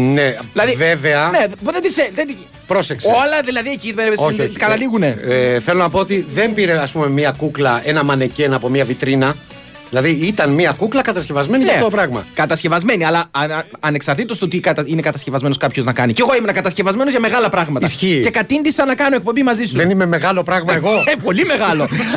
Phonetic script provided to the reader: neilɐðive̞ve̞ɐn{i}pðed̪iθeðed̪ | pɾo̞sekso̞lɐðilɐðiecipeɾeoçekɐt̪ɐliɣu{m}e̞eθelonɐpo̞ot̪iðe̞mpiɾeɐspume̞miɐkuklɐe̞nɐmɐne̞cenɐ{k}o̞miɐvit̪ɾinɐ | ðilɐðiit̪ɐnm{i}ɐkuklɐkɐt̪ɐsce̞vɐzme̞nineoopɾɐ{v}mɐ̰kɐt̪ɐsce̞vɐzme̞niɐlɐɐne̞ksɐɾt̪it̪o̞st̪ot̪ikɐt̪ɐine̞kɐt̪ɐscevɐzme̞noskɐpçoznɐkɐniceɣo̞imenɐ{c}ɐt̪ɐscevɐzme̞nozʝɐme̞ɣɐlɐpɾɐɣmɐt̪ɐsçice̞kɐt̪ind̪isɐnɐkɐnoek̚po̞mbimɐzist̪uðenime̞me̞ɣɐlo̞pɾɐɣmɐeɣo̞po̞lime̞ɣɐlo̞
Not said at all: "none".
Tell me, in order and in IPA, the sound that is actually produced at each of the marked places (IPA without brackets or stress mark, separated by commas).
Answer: e, n, p, i, ɣ, k